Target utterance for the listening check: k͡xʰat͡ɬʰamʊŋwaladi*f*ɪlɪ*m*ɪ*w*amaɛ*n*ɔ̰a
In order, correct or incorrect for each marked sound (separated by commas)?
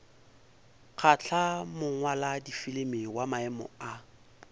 correct, correct, correct, incorrect